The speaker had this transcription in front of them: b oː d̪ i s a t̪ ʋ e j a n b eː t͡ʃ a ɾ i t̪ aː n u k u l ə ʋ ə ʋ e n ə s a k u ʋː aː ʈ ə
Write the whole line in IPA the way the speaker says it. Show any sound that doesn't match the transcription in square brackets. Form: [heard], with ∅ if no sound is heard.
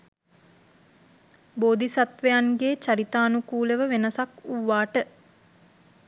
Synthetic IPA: b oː d̪ i s a t̪ ʋ e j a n [ɡ] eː t͡ʃ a ɾ i t̪ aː n u k [uː] l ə ʋ ə ʋ e n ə s a k u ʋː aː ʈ ə